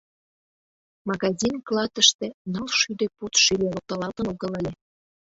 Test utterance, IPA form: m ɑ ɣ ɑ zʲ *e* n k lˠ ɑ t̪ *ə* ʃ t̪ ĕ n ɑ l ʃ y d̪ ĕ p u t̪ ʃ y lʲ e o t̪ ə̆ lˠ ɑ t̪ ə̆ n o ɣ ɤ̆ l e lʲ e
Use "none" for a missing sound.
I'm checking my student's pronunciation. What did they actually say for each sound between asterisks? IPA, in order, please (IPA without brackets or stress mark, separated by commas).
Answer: i, ə